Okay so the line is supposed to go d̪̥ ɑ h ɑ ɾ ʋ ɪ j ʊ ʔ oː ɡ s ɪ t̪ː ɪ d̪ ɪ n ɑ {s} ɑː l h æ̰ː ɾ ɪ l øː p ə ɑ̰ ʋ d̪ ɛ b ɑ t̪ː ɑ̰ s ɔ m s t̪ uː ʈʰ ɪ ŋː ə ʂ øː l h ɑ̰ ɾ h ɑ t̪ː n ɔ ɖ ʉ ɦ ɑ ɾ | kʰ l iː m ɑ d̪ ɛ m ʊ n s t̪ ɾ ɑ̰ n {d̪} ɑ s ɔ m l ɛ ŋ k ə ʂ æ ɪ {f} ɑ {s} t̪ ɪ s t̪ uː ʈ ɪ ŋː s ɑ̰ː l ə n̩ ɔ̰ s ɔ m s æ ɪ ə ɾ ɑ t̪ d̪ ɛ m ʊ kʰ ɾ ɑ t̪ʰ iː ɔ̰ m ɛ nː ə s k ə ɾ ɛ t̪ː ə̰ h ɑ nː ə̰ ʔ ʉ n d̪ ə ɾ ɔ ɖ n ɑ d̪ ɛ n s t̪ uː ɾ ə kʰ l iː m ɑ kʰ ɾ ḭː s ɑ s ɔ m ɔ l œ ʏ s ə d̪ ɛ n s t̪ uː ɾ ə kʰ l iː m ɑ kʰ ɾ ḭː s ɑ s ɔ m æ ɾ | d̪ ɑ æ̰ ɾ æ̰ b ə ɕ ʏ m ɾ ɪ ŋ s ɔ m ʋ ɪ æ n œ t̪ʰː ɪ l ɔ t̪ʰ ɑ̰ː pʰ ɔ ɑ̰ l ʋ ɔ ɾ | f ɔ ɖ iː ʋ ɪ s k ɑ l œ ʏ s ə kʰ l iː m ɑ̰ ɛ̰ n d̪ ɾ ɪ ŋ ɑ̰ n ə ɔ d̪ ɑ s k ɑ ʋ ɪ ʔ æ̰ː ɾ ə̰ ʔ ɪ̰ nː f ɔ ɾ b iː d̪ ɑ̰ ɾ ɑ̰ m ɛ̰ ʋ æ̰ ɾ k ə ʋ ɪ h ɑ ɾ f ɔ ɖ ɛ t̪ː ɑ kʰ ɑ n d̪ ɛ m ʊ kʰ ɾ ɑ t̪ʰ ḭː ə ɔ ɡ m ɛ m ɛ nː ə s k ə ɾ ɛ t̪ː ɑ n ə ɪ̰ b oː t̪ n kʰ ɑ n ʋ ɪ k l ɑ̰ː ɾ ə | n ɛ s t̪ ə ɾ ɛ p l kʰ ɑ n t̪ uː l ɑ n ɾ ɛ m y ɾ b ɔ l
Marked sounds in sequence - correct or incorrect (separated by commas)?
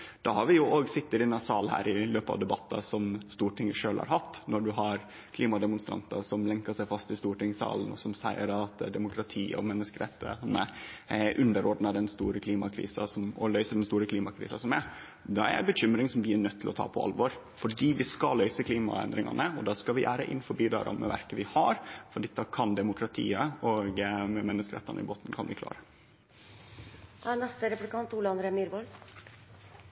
correct, incorrect, correct, correct